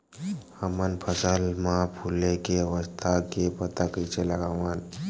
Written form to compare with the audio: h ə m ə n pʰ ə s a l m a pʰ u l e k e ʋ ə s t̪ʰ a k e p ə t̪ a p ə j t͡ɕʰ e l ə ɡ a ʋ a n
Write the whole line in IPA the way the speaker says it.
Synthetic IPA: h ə m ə n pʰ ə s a l m a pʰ u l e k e ʋ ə s t̪ʰ a k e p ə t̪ a k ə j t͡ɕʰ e l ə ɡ a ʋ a n